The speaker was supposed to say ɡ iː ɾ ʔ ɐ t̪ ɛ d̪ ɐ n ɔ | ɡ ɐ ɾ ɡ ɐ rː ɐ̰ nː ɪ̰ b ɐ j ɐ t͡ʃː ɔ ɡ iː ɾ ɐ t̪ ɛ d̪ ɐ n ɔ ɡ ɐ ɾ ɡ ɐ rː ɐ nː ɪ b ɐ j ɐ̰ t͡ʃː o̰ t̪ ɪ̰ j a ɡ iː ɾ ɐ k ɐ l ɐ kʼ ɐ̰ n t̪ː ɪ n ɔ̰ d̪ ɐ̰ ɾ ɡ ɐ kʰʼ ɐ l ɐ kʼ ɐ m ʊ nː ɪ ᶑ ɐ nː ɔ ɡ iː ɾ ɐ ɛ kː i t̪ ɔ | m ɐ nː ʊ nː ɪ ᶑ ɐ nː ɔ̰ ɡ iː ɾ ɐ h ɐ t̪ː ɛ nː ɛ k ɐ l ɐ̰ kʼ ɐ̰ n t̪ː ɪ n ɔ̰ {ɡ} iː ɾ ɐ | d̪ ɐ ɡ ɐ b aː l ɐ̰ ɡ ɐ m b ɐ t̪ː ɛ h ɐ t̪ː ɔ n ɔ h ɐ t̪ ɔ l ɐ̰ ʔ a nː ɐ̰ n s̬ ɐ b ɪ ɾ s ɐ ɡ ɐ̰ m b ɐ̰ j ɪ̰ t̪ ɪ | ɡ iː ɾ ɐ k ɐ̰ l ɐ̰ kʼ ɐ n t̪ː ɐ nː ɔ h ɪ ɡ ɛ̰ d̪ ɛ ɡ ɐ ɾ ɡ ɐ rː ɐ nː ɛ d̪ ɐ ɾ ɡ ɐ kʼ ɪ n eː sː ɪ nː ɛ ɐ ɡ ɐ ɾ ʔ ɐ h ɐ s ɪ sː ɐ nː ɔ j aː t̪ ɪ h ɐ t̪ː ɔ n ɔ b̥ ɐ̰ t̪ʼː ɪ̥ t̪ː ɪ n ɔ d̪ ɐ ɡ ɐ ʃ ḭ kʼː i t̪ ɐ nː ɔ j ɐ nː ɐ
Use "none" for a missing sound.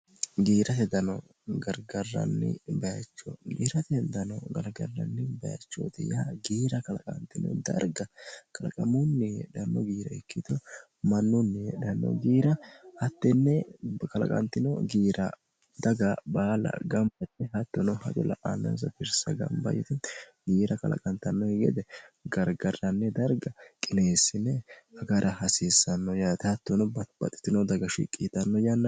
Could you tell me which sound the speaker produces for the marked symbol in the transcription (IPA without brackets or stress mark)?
ɡ